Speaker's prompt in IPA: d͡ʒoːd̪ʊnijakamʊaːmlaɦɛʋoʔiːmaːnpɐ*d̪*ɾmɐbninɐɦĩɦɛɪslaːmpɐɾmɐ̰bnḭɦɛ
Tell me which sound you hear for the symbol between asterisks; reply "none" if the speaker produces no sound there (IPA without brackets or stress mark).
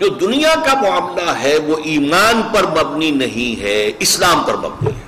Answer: none